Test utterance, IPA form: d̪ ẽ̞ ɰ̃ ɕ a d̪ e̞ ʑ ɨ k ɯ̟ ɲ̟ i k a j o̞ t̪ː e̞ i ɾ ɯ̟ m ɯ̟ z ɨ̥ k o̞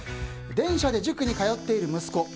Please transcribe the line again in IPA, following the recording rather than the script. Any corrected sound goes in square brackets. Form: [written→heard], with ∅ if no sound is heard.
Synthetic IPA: d̪ ẽ̞ ɰ̃ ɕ a d̪ e̞ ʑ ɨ k ɯ̟ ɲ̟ i k a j o̞ t̪ː e̞ i ɾ ɯ̟ m ɯ̟ [z→s] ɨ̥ k o̞

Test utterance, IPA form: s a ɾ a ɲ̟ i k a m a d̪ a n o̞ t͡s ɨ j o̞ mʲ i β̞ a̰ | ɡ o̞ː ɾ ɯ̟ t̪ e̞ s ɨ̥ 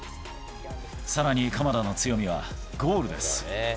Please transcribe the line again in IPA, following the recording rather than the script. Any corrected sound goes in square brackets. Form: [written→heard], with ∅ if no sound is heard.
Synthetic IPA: s a ɾ a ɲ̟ i k a m a d̪ a n o̞ t͡s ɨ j o̞ mʲ i β̞ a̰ | ɡ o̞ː ɾ ɯ̟ [t̪→d̪] e̞ s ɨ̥

